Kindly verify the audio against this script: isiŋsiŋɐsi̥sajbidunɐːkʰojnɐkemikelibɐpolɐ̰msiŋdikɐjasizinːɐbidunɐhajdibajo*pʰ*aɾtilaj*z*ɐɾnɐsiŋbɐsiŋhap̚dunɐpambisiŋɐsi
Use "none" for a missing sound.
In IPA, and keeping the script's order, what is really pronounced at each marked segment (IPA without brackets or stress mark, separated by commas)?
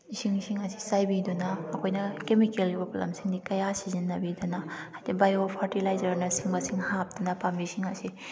pʰ, z